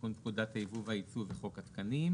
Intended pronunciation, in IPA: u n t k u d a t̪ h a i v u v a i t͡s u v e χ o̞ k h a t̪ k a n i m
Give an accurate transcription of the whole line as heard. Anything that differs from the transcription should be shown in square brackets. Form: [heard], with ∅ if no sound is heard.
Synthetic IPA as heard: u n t k u d a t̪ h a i v u v a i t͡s u v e χ o̞ k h a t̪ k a n i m